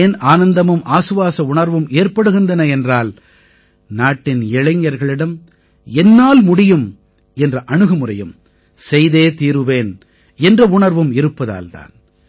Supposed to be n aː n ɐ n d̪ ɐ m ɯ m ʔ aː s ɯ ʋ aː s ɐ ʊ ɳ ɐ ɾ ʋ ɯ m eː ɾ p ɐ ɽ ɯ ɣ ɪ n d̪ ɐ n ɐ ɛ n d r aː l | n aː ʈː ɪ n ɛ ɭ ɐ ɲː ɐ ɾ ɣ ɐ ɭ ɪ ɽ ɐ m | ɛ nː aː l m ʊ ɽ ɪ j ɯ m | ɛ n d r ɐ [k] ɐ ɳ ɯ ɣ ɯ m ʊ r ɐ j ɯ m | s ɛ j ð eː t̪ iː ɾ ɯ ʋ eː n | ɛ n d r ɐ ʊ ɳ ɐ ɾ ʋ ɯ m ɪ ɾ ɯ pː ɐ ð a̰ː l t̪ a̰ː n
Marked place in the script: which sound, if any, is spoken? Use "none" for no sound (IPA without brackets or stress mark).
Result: ʔ